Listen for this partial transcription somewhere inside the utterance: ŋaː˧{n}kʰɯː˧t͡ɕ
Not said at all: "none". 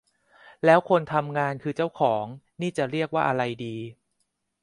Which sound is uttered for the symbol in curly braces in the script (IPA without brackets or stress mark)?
n